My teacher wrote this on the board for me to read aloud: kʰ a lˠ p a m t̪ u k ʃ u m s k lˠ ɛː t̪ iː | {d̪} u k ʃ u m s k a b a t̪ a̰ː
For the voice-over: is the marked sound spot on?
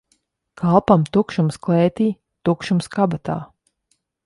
no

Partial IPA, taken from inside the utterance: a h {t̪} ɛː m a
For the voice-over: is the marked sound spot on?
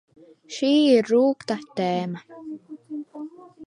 yes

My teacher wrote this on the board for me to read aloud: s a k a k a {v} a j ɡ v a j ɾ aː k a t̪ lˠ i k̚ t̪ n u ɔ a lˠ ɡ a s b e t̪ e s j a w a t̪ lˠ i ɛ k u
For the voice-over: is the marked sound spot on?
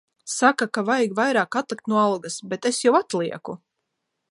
yes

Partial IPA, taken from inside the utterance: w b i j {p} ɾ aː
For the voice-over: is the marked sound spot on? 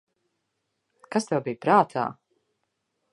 yes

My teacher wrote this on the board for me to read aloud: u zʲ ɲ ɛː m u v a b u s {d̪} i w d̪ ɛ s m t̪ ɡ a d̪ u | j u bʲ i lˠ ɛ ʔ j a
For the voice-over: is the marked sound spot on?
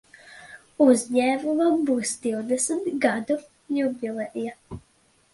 yes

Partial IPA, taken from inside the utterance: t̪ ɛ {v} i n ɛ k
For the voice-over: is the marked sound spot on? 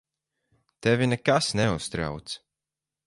yes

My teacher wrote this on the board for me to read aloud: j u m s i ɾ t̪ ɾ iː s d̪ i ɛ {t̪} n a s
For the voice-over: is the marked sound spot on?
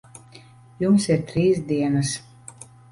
no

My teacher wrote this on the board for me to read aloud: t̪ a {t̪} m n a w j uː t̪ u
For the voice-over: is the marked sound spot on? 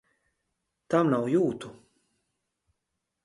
no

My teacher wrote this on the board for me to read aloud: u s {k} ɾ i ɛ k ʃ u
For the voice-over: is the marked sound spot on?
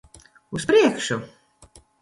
no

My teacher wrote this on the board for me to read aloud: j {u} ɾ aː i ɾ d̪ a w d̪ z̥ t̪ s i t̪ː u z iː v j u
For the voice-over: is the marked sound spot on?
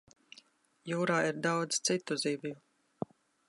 no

